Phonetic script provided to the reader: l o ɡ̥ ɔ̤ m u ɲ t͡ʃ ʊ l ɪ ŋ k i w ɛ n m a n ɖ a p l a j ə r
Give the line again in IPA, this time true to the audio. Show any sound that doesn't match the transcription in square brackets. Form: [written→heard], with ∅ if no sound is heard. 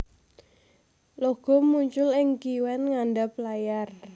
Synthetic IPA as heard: l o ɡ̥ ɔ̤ m u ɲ t͡ʃ ʊ l ɪ ŋ k i w ɛ n [m→ŋ] a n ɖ a p l a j [ə→a] r